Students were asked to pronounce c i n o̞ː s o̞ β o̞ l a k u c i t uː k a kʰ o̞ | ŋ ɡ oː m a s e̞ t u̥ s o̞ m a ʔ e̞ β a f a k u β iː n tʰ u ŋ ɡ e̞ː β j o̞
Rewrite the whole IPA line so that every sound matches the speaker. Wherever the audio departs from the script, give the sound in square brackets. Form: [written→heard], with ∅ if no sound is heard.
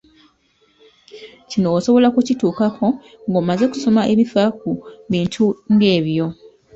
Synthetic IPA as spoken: c i n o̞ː s o̞ β o̞ l a k u c i t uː k a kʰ o̞ | ŋ ɡ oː m a [s→z] e̞ [t→k] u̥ s o̞ m a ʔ e̞ β [a→i] f a k u β iː n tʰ u ŋ ɡ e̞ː β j o̞